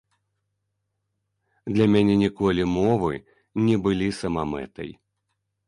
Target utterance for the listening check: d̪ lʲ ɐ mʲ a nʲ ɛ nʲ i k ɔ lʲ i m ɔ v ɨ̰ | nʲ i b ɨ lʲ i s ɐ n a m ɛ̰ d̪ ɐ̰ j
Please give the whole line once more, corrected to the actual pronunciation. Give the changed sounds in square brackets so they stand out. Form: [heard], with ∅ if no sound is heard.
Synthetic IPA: d̪ lʲ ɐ mʲ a nʲ ɛ nʲ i k ɔ lʲ i m ɔ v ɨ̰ | nʲ [ɛ] b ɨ lʲ i s ɐ [m] a m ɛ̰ [t̪] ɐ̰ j